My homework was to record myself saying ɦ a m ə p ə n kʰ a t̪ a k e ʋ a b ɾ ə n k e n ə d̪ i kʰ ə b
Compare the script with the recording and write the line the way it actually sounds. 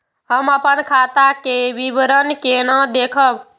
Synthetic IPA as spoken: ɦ ə m ə p ə n kʰ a t̪ a k e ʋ i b ɾ ə n k e n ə d̪ e kʰ ə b